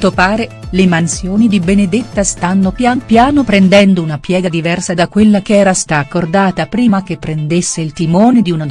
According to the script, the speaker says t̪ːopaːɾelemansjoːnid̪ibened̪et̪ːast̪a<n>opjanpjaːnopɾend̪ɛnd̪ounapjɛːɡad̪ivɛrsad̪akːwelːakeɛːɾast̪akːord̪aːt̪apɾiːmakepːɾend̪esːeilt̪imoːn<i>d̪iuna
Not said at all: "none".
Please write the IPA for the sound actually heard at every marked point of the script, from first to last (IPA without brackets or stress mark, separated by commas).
nː, e